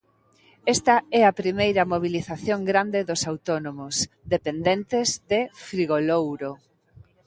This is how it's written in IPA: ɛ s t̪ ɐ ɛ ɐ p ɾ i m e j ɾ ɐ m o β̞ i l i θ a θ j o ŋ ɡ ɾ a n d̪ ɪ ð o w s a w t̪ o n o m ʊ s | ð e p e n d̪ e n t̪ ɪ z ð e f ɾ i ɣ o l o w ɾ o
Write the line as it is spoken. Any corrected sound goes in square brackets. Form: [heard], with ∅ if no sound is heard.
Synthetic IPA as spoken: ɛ s t̪ ɐ ɛ ɐ p ɾ i m e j ɾ ɐ m o β̞ i l i θ a θ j o ŋ ɡ ɾ a n d̪ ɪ ð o [∅] s a w t̪ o n o m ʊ s | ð e p e n d̪ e n t̪ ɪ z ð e f ɾ i ɣ o l o w ɾ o